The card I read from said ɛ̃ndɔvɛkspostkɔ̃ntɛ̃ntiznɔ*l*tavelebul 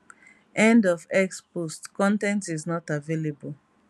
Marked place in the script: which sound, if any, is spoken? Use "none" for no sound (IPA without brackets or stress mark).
none